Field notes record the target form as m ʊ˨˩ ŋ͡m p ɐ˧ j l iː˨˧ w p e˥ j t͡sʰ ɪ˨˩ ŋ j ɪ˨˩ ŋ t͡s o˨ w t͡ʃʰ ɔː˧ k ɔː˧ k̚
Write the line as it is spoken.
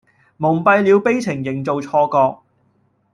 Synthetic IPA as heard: m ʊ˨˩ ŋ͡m p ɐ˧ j l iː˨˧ w p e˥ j t͡sʰ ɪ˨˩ ŋ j ɪ˨˩ ŋ t͡s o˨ w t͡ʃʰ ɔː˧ k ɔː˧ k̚